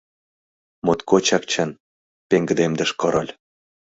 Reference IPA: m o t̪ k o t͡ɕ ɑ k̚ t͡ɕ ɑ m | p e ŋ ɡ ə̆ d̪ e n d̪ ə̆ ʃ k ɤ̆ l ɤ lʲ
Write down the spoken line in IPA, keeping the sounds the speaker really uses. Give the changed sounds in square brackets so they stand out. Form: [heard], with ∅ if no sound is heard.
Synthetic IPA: m o t̪ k o t͡ɕ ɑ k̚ t͡ɕ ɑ [n] | p e ŋ ɡ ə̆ d̪ e [m] d̪ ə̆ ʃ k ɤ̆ [ɾ] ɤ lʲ